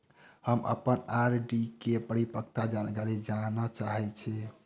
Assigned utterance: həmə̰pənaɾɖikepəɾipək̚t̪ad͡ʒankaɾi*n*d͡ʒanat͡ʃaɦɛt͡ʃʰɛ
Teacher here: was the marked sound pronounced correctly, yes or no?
no